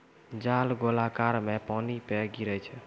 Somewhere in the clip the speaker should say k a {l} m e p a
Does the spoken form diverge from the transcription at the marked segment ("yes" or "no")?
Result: yes